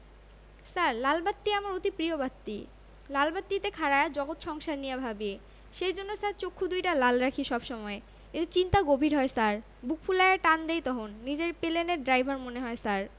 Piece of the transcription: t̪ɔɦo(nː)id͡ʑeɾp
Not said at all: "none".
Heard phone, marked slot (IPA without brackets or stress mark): nː